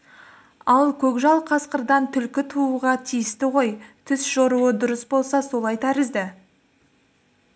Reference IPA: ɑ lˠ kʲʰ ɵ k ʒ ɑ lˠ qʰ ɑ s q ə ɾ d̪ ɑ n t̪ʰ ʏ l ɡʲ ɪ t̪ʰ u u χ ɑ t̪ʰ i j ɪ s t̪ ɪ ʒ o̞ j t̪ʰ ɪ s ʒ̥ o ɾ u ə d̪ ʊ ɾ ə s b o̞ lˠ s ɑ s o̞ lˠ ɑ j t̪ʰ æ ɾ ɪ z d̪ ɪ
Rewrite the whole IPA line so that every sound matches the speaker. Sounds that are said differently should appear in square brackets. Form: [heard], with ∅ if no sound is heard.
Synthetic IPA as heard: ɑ lˠ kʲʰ ɵ k ʒ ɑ lˠ qʰ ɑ s q ə ɾ d̪ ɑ n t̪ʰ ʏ l [kʲ] ɪ t̪ʰ u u [ʁ] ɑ t̪ʰ i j ɪ s t̪ ɪ [ʁ] o̞ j t̪ʰ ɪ s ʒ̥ o ɾ u ə d̪ ʊ ɾ ə s b o̞ lˠ s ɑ s o̞ lˠ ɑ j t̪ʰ æ ɾ ɪ z d̪ ɪ

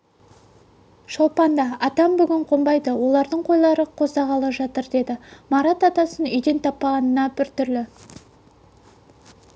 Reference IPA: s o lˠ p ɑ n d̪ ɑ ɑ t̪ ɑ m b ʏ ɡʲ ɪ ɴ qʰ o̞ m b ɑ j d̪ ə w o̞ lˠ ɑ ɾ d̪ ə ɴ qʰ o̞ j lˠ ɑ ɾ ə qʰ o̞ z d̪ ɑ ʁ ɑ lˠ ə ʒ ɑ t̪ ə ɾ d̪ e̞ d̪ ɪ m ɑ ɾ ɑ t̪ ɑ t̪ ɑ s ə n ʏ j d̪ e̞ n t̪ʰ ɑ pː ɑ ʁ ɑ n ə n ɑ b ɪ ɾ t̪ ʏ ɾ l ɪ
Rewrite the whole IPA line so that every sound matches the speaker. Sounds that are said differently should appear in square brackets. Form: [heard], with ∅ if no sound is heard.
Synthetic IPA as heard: [ʃ] o lˠ p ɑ n d̪ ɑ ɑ t̪ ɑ m b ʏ ɡʲ ɪ ɴ qʰ o̞ m b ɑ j d̪ ə w o̞ lˠ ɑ ɾ d̪ ə ɴ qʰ o̞ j lˠ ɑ ɾ ə qʰ o̞ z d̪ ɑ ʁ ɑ lˠ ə ʒ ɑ t̪ ə ɾ d̪ e̞ d̪ ɪ m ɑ ɾ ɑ t̪ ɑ t̪ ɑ s ə n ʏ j d̪ e̞ n t̪ʰ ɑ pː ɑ ʁ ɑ n ə n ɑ b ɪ ɾ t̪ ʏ ɾ l ɪ

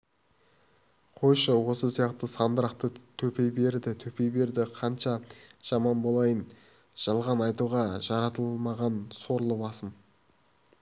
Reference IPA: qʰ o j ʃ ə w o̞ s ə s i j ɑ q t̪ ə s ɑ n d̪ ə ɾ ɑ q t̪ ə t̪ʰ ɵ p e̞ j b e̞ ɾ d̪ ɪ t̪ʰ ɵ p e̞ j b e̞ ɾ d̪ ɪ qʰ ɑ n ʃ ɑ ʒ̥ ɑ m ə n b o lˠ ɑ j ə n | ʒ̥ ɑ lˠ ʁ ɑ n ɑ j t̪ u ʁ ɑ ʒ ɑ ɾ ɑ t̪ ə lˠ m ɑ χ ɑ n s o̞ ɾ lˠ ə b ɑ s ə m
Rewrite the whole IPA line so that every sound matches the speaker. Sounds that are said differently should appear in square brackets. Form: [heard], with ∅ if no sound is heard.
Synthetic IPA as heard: qʰ o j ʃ ə w o̞ s ə s i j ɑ q t̪ ə s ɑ n d̪ ə ɾ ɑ q t̪ ə t̪ʰ ɵ p e̞ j b e̞ ɾ d̪ ɪ t̪ʰ ɵ p e̞ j b e̞ ɾ d̪ ɪ qʰ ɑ n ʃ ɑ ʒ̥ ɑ m [ɑ] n b o lˠ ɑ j ə n | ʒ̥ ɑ lˠ ʁ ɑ n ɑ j t̪ u ʁ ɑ ʒ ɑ ɾ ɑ t̪ ə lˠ m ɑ [ʁ] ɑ n s o̞ ɾ lˠ ə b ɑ s ə m

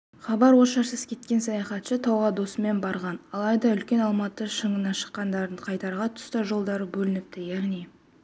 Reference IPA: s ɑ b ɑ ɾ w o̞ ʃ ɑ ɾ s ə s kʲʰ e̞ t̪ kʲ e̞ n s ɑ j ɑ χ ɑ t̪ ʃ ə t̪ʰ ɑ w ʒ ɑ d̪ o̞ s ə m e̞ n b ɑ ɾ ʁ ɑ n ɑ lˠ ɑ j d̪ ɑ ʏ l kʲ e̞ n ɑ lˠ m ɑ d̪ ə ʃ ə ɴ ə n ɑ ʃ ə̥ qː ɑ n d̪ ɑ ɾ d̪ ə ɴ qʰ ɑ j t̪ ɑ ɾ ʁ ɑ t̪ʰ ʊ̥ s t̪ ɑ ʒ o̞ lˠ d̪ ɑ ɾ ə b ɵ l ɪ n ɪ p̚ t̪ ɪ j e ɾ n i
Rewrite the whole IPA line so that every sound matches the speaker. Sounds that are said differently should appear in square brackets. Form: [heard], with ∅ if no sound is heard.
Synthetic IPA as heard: [χ] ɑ b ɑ ɾ w o̞ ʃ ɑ ɾ s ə s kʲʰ e̞ t̪ kʲ e̞ n s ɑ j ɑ χ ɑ t̪ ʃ ə t̪ʰ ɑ w [ʁ] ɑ d̪ o̞ s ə m e̞ n b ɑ ɾ ʁ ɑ n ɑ lˠ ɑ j d̪ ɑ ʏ l kʲ e̞ n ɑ lˠ m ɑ [t̪] ə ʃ ə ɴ ə n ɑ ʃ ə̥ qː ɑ n d̪ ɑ ɾ d̪ ə ɴ qʰ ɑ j t̪ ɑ ɾ ʁ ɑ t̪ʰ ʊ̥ s t̪ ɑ ʒ o̞ lˠ d̪ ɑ ɾ ə b ɵ l ɪ n ɪ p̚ t̪ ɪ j [æ] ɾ n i

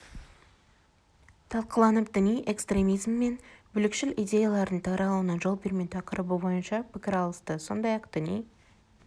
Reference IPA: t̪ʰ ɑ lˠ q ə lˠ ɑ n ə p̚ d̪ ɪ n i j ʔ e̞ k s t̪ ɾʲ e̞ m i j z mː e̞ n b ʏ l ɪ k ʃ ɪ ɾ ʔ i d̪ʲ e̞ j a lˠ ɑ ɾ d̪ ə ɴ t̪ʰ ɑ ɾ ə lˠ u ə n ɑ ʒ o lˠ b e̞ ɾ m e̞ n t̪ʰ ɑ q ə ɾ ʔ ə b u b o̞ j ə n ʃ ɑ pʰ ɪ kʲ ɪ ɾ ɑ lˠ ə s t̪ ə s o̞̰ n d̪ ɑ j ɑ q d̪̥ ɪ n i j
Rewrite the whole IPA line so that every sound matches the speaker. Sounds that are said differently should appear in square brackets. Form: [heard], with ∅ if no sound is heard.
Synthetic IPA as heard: t̪ʰ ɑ lˠ q ə lˠ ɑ n ə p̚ d̪ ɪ n i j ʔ e̞ k s t̪ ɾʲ e̞ m i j z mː e̞ n b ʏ l ɪ k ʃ ɪ [l] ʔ i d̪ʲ e̞ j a lˠ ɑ ɾ d̪ ə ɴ t̪ʰ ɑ ɾ [ɑ] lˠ u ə n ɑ ʒ o lˠ b e̞ ɾ m e̞ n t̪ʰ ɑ q ə ɾ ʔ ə b u b o̞ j ə n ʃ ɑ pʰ ɪ kʲ ɪ ɾ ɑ lˠ ə s t̪ ə s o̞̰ n d̪ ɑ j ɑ q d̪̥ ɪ n i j

